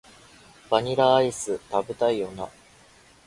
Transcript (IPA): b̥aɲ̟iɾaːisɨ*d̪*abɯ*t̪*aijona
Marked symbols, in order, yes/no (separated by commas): no, yes